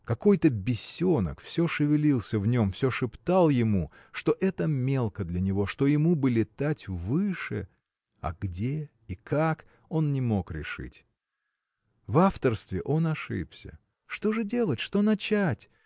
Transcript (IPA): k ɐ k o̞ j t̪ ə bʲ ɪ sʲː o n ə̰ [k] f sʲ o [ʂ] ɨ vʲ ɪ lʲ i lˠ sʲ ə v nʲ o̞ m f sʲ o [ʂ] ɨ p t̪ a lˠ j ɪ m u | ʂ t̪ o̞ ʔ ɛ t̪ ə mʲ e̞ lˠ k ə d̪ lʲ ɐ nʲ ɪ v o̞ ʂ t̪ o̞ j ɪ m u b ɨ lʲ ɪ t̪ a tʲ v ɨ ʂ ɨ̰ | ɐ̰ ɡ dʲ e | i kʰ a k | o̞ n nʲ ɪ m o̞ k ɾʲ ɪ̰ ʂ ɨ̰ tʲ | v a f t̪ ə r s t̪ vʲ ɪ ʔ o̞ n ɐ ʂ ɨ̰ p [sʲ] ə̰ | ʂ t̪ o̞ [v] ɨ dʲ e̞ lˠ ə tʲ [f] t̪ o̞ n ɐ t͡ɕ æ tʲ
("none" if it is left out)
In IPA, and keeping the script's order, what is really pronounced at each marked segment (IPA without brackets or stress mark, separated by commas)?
k, ʂ, ʂ, sʲ, ʐ, ʂ